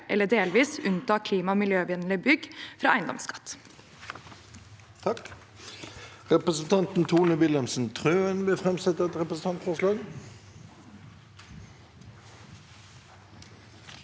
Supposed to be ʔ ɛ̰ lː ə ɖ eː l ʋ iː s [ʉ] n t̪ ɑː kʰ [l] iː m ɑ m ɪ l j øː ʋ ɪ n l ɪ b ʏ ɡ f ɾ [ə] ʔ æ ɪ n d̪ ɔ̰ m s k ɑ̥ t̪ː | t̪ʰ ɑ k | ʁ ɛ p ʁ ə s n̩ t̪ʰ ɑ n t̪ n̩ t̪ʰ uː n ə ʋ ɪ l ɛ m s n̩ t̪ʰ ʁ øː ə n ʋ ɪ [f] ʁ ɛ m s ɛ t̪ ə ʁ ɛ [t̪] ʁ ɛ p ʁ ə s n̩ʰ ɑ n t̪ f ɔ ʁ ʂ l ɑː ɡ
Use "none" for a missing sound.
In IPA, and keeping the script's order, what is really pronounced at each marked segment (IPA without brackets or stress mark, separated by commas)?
ʉ, l, ɑ, f, t̪